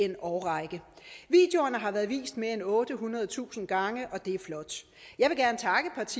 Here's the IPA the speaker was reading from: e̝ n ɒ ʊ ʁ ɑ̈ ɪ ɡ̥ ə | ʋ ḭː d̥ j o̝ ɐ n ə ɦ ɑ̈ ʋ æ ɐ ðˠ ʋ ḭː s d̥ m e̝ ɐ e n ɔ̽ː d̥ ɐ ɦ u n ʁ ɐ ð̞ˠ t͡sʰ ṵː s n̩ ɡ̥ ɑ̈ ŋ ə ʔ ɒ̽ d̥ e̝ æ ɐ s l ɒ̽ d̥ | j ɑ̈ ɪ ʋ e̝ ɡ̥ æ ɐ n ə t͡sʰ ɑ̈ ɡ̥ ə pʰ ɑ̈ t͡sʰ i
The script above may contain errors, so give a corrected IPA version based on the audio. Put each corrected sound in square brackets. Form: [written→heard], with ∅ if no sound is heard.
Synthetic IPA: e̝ n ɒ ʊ ʁ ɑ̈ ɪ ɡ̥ ə | ʋ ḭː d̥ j o̝ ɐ n ə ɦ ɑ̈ ʋ æ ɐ ðˠ ʋ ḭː s d̥ m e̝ ɐ e n ɔ̽ː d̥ [ɐ→ə] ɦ u n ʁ ɐ ð̞ˠ t͡sʰ ṵː s n̩ ɡ̥ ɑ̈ ŋ ə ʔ ɒ̽ d̥ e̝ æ ɐ [s→f] l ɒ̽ d̥ | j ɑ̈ ɪ ʋ e̝ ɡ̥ æ ɐ n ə t͡sʰ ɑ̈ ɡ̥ ə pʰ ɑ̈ t͡sʰ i